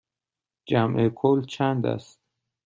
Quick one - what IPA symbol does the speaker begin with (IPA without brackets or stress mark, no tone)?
d͡ʒ